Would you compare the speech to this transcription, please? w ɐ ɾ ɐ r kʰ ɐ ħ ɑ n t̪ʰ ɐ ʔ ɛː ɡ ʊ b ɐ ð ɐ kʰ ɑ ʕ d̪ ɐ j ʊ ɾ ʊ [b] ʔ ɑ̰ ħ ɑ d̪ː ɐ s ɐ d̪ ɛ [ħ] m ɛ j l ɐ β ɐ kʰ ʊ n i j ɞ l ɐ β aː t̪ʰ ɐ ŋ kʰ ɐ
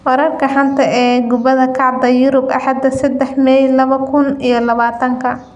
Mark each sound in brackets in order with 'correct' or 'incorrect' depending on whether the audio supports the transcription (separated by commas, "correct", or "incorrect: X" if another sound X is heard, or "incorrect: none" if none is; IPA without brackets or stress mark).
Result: correct, correct